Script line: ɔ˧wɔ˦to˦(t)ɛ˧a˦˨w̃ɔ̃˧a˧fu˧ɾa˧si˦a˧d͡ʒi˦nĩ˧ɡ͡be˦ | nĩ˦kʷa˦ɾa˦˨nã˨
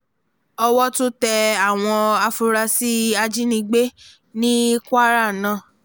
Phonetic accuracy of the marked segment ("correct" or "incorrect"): correct